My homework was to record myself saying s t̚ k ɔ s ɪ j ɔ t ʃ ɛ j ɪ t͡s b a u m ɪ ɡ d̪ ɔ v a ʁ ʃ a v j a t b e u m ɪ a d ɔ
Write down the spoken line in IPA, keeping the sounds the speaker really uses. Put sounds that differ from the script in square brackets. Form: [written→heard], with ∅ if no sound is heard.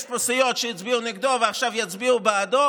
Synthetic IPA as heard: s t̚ [k→p] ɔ s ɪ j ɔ t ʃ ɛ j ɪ t͡s b [a→i] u [m→n] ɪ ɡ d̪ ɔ v a [ʁ→χ] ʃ a v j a [t→t͡s] b [e→i] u [m→b] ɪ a d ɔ